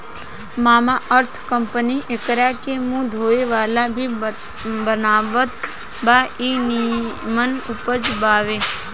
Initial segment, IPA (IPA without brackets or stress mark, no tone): m